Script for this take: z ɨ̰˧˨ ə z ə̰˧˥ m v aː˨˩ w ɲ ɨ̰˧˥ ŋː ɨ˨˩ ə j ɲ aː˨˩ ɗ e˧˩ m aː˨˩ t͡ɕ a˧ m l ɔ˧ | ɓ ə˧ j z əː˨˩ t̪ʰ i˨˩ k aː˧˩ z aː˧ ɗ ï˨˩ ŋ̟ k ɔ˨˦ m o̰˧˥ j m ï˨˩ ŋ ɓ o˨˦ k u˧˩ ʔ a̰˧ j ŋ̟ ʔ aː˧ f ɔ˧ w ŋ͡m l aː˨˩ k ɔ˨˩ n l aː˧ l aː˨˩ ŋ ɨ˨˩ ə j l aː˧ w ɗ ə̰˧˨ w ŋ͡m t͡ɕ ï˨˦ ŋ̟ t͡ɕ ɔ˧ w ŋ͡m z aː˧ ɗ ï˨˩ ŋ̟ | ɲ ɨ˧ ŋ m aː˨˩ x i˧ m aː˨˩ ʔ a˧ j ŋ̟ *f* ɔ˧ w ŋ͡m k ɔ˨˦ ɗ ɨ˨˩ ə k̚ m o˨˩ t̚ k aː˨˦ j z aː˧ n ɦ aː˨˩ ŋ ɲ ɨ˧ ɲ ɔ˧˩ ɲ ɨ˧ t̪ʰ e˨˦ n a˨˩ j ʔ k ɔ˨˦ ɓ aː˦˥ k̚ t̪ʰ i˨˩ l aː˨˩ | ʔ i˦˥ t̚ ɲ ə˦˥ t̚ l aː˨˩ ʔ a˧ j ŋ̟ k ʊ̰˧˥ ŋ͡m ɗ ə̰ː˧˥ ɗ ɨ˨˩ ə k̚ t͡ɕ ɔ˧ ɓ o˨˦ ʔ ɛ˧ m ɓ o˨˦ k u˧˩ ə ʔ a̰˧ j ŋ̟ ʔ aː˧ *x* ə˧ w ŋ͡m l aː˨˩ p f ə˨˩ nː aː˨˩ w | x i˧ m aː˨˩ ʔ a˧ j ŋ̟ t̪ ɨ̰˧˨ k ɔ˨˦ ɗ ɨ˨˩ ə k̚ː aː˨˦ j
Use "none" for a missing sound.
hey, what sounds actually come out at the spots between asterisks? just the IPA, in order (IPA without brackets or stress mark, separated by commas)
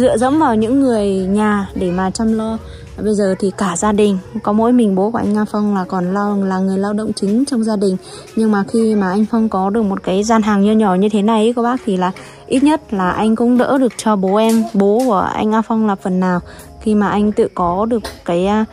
f, f